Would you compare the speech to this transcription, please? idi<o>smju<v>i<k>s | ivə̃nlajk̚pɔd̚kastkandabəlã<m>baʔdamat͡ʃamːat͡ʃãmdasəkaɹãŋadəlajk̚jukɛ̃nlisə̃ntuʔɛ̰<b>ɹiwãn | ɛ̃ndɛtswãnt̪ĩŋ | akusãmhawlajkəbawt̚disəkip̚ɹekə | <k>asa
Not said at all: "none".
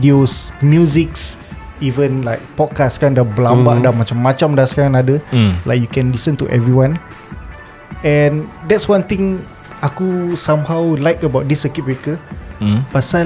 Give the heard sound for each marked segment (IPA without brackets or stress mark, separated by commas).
o, z, k, m, v, p